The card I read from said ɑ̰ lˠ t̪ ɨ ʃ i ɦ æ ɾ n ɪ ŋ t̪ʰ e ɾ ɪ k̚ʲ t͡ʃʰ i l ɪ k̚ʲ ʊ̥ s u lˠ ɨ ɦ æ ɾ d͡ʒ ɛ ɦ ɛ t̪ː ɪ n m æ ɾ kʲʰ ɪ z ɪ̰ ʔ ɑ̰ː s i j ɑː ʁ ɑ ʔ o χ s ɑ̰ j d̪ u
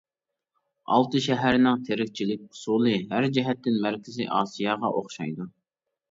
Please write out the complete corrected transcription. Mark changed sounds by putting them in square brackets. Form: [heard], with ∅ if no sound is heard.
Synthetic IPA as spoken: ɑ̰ lˠ t̪ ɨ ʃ [ɛ] ɦ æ ɾ n ɪ ŋ t̪ʰ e ɾ ɪ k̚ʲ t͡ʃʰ i l ɪ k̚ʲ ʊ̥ s u lˠ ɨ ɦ æ ɾ d͡ʒ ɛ ɦ ɛ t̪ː ɪ n m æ ɾ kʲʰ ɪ z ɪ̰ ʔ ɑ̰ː s i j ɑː ʁ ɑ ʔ o χ [ʃ] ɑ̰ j d̪ u